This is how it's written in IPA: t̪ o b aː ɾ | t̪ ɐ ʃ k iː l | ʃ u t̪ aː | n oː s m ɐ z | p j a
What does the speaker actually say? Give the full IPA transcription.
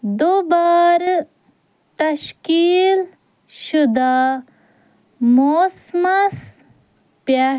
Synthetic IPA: d̪ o b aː ɾ | t̪ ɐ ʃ k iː l | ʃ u d̪ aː | m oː s m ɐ s | p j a

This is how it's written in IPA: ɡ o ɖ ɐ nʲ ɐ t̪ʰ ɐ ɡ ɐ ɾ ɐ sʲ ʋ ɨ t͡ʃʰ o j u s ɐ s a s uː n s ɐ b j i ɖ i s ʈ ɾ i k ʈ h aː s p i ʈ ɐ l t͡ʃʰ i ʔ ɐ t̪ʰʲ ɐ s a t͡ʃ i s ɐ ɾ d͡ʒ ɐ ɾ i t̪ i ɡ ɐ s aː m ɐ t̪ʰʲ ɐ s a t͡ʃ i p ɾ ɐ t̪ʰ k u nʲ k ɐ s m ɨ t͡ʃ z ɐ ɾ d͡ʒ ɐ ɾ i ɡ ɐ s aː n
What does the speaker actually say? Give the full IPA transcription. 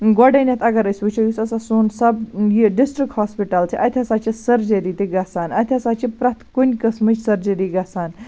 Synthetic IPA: ɡ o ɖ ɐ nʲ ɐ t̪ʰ ɐ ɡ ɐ ɾ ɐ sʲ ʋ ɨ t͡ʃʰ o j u s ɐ s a s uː n s ɐ b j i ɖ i s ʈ ɾ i k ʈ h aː s p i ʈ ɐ l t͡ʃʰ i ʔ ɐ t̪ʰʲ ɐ s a t͡ʃ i s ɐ ɾ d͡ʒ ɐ ɾ i t̪ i ɡ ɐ s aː n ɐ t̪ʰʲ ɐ s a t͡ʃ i p ɾ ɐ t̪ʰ k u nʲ k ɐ s m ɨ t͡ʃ s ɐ ɾ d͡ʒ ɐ ɾ i ɡ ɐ s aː n

